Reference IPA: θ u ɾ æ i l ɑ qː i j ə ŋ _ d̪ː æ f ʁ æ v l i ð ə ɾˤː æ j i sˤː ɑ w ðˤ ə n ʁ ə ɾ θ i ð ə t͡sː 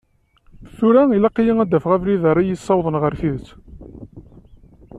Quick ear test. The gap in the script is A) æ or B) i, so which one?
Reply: A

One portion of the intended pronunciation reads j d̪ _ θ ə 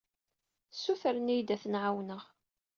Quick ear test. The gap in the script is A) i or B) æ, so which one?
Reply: B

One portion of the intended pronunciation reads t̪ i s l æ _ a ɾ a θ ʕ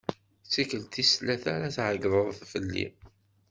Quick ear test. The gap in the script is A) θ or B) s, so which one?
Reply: A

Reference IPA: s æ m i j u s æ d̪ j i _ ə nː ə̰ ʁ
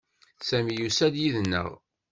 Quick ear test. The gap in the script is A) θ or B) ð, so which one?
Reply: B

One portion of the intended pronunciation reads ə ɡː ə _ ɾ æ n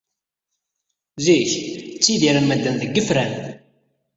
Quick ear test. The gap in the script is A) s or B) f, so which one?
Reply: B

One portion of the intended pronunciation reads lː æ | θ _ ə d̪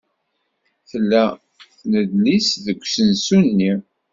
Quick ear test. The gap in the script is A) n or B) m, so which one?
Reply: A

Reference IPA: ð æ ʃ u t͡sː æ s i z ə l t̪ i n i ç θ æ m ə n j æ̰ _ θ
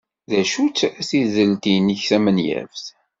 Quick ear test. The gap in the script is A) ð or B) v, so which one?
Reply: B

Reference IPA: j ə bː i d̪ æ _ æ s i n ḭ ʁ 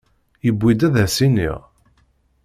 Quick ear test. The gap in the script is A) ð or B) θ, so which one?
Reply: A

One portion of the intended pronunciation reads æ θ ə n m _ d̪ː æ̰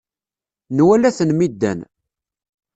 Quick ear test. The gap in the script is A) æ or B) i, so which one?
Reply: B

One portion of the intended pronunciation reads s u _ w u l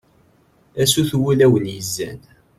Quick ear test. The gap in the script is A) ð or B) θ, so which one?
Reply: B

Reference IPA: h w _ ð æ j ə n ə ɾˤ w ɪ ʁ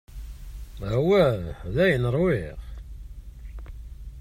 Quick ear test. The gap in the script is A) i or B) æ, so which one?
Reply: B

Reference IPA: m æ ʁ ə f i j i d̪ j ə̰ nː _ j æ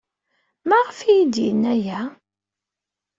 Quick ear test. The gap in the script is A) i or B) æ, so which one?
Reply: B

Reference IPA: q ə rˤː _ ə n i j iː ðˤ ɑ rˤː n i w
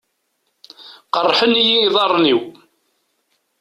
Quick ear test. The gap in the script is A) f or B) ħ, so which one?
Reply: B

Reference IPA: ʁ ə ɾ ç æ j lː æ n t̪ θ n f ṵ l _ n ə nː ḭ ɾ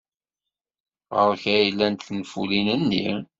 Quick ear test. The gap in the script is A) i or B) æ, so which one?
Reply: A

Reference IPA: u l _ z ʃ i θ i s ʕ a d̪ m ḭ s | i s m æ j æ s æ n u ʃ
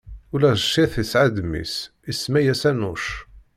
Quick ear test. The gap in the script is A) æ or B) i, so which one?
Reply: A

